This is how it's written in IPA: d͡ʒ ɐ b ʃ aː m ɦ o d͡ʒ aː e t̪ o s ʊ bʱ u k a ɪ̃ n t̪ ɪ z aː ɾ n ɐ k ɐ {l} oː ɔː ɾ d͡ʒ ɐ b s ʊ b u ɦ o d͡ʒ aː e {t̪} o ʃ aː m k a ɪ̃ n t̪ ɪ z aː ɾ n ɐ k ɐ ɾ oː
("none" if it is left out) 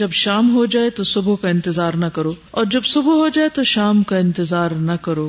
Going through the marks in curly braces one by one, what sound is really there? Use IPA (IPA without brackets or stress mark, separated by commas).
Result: ɾ, t̪